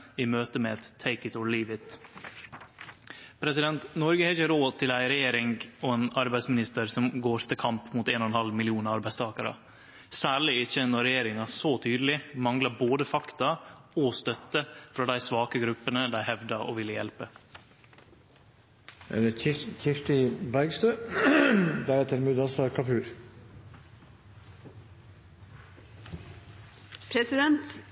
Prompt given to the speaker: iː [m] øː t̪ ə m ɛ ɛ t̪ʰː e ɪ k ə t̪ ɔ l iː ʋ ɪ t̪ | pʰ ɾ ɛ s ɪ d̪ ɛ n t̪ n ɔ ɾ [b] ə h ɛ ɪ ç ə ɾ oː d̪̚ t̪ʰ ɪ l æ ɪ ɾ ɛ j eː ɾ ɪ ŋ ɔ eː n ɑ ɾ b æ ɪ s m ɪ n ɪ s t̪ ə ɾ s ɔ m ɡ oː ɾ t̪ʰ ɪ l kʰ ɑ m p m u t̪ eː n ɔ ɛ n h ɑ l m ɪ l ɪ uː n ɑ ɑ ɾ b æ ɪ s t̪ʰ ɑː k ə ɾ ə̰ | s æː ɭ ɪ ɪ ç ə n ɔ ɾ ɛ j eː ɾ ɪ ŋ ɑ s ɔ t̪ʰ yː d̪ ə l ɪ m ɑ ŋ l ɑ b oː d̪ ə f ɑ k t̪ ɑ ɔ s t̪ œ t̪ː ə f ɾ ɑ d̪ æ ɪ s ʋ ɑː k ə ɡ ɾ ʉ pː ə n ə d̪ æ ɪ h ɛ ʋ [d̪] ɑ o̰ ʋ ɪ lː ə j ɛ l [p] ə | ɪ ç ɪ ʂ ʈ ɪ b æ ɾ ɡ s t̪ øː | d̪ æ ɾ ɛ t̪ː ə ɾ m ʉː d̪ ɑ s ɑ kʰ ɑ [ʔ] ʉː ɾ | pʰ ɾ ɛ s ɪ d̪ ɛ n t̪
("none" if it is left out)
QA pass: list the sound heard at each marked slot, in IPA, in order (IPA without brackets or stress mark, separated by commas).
m, ɡ, d̪, p, p